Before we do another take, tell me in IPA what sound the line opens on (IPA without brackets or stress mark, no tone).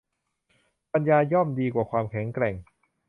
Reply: p